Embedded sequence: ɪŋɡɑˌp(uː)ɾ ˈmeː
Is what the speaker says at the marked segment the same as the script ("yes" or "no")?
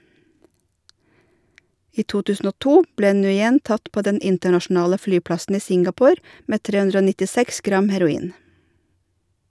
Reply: no